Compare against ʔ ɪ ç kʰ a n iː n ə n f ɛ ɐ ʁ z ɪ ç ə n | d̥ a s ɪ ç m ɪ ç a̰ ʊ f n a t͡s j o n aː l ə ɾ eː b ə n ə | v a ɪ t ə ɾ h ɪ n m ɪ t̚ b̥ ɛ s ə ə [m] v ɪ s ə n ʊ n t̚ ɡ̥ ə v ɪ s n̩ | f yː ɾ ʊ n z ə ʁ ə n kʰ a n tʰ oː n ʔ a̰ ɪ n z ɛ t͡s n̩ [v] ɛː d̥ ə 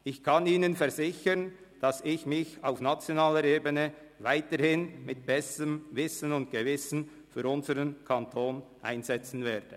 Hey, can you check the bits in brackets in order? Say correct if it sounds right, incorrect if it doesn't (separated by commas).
correct, correct